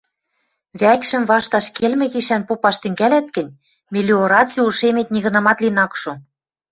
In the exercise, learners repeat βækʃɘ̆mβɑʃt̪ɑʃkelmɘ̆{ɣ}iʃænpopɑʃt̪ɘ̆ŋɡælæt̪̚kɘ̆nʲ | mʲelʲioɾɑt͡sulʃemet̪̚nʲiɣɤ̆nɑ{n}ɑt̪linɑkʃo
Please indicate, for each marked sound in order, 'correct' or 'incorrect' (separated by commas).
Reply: correct, incorrect